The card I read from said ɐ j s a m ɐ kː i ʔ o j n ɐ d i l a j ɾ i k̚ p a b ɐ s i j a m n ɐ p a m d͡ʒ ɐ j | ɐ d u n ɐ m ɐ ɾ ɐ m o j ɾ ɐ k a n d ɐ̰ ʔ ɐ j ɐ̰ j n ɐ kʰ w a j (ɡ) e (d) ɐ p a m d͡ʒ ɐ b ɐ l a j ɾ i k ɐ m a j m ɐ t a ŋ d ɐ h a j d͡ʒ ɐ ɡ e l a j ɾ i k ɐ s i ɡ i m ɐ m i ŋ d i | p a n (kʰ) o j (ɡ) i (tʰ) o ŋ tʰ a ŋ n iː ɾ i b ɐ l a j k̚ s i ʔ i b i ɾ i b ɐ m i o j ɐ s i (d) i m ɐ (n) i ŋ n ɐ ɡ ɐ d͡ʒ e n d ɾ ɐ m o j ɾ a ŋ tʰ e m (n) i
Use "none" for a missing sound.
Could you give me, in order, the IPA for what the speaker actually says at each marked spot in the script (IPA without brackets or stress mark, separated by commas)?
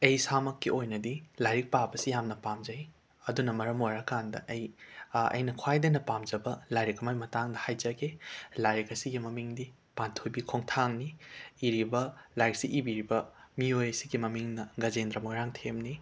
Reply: d, n, tʰ, b, kʰ, ɡ, m, n